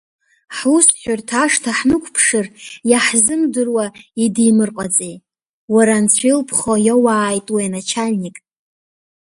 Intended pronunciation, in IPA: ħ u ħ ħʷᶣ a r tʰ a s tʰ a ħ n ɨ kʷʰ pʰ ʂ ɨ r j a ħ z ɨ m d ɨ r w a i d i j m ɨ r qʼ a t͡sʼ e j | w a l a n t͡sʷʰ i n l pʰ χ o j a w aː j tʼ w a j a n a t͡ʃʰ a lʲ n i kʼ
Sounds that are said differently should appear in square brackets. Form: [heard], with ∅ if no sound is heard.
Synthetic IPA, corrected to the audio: ħ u [s] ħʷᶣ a r tʰ a [ʂ] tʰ a ħ n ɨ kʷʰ pʰ ʂ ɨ r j a ħ z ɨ m d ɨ r w a i d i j m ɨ r qʼ a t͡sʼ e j | w a [ɾ] a n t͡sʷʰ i [∅] l pʰ χ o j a w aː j tʼ w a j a n a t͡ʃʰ a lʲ n i kʼ

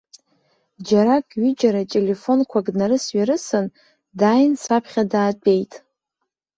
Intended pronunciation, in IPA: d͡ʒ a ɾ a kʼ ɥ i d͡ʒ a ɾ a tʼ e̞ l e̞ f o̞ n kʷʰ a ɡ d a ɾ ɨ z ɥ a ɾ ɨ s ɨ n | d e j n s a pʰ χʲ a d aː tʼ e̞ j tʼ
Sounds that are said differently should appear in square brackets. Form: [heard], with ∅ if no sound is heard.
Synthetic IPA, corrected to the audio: d͡ʒ a ɾ a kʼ ɥ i d͡ʒ a ɾ a tʼ e̞ l e̞ f o̞ n kʷʰ a ɡ [n] a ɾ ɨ [s] ɥ a ɾ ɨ s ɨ n | d [a] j n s a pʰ χʲ a d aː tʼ e̞ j tʼ

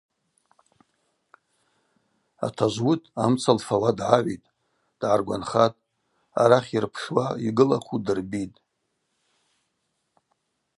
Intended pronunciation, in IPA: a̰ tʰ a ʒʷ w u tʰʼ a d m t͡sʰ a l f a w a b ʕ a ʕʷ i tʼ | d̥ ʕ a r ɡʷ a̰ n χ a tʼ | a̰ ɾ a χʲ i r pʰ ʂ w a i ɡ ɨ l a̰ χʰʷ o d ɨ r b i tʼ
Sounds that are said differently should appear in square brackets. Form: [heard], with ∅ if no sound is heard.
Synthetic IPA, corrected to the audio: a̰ tʰ a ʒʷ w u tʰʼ a [∅] m t͡sʰ a l f a w a [d] ʕ a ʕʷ i tʼ | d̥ ʕ a r ɡʷ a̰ n χ a tʼ | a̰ ɾ a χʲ i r pʰ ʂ w a i ɡ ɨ l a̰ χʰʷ [u] d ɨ r b i tʼ

